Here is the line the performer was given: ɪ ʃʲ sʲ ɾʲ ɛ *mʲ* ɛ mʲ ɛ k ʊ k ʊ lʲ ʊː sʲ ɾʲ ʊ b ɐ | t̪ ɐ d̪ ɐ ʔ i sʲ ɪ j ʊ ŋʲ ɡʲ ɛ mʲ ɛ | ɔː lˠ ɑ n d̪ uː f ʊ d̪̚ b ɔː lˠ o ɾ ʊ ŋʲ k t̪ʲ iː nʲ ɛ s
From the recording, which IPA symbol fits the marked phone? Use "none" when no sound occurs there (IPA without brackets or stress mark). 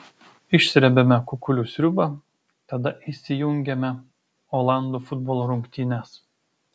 bʲ